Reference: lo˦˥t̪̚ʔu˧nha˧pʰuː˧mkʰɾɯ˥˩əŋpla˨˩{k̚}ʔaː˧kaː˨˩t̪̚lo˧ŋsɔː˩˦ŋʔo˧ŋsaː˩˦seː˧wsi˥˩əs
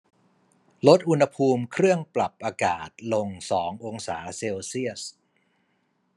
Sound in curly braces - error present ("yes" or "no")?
yes